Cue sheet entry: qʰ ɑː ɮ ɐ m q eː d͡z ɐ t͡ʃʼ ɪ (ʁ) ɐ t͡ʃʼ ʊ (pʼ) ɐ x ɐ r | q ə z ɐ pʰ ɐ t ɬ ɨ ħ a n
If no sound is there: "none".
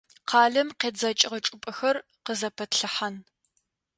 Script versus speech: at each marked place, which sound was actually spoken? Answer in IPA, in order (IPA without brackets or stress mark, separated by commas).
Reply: ʁ, pʼ